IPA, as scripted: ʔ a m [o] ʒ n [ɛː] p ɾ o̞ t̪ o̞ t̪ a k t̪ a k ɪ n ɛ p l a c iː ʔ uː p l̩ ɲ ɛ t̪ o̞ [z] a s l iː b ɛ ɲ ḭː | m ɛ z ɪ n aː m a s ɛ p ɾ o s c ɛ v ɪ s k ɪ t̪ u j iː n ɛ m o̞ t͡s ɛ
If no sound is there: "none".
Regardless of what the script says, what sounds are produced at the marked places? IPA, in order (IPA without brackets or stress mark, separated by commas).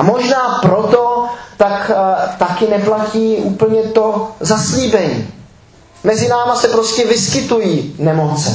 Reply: o, aː, z